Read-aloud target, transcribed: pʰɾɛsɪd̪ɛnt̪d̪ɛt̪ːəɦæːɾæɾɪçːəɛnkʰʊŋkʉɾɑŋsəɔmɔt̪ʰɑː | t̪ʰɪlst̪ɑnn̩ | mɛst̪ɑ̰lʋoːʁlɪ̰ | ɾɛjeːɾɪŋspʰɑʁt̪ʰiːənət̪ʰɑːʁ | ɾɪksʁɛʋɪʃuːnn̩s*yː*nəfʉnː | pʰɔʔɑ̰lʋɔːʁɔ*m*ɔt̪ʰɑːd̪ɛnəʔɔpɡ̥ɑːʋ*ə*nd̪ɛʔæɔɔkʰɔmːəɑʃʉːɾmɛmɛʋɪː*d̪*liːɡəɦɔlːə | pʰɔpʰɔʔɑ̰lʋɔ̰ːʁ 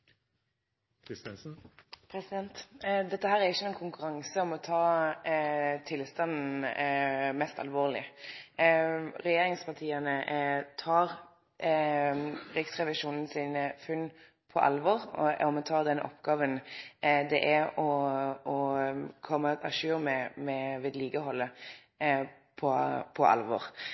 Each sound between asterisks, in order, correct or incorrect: incorrect: iː, correct, correct, correct

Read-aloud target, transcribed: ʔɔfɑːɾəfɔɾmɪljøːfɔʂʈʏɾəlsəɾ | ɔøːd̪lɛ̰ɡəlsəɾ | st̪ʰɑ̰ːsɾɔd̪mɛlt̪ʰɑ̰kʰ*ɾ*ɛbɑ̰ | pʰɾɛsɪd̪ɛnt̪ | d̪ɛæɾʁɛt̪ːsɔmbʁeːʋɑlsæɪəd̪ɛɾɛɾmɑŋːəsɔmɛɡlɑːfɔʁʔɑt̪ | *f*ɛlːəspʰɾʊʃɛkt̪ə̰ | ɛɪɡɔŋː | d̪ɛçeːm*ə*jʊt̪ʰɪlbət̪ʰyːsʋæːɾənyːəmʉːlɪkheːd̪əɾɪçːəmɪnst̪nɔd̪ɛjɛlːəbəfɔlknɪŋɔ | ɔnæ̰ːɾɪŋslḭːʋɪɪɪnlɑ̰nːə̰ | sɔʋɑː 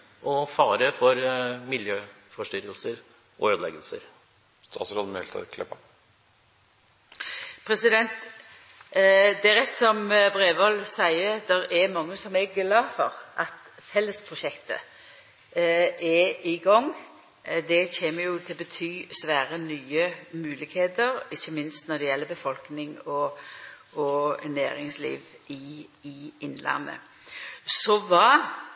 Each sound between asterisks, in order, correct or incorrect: incorrect: l, correct, correct

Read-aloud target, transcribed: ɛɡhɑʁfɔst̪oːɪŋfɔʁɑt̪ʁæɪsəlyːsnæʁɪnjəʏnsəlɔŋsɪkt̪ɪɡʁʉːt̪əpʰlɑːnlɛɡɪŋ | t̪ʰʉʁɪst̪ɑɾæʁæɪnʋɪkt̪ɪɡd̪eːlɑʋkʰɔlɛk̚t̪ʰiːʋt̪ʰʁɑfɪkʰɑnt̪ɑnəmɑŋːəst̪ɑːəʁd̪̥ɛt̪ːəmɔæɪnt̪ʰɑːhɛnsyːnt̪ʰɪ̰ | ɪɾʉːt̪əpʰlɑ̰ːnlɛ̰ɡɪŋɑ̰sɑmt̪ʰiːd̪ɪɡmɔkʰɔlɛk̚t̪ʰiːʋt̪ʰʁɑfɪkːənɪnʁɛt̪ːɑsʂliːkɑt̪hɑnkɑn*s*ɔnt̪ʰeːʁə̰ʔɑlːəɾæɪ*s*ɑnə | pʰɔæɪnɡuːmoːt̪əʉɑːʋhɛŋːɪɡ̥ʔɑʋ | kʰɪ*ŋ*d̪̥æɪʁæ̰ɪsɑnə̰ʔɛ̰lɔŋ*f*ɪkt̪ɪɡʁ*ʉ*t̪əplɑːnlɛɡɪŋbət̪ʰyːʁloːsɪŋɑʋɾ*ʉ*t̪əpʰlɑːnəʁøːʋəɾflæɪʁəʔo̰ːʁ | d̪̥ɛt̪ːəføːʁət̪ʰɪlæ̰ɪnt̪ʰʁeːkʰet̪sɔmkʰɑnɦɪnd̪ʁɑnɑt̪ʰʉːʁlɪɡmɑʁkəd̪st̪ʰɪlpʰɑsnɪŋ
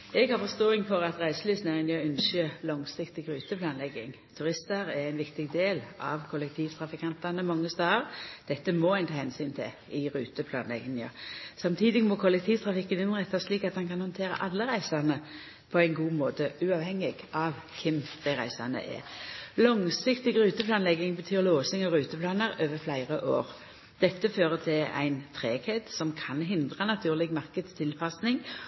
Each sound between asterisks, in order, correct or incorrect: incorrect: h, correct, incorrect: m, incorrect: s, incorrect: ʉː, incorrect: ʉː

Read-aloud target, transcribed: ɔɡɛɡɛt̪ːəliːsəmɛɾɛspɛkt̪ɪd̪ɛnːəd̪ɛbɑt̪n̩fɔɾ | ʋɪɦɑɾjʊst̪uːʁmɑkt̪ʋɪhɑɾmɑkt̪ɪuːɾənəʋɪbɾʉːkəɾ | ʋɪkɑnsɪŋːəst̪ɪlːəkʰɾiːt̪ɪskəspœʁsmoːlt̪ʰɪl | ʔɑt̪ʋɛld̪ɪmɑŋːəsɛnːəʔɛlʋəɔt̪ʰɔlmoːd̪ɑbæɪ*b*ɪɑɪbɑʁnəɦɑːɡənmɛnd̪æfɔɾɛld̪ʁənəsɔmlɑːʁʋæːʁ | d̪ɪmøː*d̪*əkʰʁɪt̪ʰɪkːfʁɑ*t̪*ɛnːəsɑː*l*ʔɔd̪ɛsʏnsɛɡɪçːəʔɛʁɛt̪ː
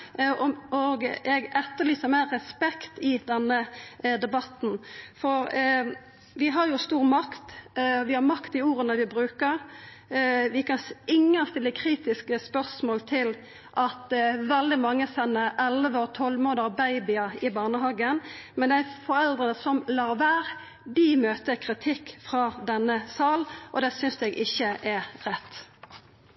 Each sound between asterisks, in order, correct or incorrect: correct, incorrect: t̪, incorrect: d̪, correct

